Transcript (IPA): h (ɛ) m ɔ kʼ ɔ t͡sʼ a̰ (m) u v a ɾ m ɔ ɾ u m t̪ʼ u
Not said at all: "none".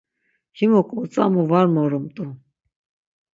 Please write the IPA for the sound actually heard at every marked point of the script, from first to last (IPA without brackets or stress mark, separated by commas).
i, m